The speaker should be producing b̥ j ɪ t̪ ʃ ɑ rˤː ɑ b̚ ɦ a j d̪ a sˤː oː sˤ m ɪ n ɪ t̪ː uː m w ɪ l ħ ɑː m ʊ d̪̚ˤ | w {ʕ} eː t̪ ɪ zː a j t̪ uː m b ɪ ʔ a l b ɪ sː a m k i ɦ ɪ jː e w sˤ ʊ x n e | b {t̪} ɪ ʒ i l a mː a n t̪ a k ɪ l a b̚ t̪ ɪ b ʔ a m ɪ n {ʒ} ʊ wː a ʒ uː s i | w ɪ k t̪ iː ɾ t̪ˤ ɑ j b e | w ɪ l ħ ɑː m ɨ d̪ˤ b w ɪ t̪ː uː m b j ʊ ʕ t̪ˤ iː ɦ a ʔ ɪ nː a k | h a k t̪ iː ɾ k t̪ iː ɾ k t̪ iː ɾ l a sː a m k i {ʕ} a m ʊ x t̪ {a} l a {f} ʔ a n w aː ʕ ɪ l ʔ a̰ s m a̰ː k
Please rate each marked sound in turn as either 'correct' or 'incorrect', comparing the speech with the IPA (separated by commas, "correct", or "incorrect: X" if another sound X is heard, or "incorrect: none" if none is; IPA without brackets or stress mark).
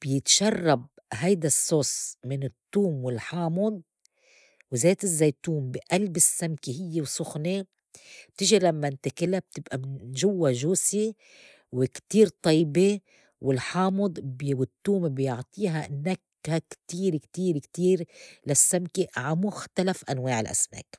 incorrect: z, correct, correct, correct, correct, correct